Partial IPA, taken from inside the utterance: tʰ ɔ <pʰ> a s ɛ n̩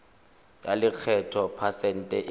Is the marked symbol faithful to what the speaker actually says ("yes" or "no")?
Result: yes